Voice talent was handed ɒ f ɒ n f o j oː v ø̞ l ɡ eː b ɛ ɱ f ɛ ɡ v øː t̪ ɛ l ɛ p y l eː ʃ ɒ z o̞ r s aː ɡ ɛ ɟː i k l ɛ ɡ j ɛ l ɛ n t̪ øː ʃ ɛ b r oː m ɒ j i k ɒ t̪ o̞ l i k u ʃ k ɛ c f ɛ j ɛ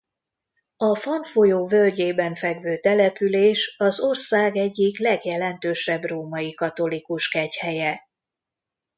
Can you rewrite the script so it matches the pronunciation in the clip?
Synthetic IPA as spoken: ɒ f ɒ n f o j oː v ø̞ l ɟ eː b ɛ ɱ f ɛ ɡ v øː t̪ ɛ l ɛ p y l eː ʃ ɒ z o̞ r s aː ɡ ɛ ɟː i k l ɛ ɡ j ɛ l ɛ n t̪ øː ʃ ɛ b r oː m ɒ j i k ɒ t̪ o̞ l i k u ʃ k ɛ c h ɛ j ɛ